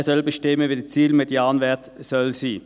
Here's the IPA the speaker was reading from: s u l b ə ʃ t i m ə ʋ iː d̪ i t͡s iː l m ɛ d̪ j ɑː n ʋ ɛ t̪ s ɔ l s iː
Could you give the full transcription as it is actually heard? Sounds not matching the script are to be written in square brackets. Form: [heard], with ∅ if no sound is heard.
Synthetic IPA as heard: s [ɔ] l b ə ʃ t [ɪ] m ə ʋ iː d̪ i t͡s iː l m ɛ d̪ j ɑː n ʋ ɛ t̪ s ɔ l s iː

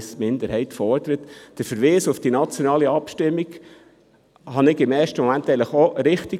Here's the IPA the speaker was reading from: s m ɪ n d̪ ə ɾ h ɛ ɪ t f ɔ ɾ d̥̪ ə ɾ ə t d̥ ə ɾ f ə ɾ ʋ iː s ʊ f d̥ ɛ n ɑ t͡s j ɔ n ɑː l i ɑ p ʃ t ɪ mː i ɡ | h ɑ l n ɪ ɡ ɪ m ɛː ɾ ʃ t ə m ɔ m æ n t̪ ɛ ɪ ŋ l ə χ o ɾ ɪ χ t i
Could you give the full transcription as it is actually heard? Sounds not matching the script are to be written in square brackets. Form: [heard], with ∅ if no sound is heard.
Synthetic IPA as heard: s m ɪ n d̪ ə ɾ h ɛ ɪ t f ɔ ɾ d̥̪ ə ɾ ə t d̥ ə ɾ f ə ɾ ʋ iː s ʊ f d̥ [i] n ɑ t͡s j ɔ n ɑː l i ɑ p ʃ t ɪ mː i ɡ | h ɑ [∅] n ɪ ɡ ɪ m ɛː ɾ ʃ t ə m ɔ m æ n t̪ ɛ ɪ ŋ l ə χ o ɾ ɪ χ t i

